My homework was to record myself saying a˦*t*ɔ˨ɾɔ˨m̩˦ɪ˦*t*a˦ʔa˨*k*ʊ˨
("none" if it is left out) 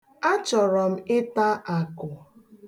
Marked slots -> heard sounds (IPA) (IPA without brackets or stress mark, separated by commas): t͡ʃ, t, k